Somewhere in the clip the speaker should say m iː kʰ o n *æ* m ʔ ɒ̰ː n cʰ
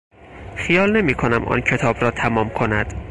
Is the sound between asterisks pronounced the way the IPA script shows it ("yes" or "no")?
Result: yes